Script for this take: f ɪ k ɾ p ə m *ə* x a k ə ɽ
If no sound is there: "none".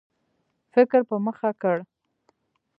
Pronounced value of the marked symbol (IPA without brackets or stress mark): ə